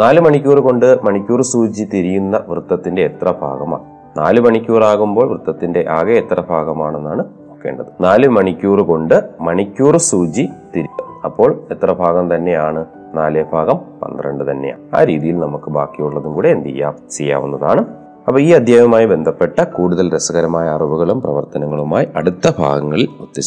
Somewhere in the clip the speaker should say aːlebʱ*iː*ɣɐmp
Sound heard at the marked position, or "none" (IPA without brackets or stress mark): aː